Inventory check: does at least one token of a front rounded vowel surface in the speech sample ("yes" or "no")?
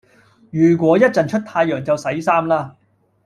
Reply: yes